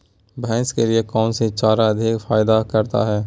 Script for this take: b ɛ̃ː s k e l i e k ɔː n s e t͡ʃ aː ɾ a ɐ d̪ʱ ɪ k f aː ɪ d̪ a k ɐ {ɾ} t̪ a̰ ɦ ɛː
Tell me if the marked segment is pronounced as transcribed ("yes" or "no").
yes